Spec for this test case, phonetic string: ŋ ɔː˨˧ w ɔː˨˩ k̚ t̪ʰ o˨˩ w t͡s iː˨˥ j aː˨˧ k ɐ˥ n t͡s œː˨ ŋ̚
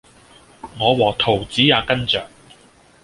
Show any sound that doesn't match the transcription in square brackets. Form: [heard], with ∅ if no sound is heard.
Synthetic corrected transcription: ŋ ɔː˨˧ w ɔː˨˩ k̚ t̪ʰ o˨˩ w t͡s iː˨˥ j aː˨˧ k ɐ˥ n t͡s œː˨ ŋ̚